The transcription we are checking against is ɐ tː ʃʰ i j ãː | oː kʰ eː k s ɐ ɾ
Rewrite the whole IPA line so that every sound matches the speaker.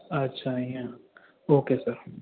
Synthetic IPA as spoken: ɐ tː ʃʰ a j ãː | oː k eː s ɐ ɾ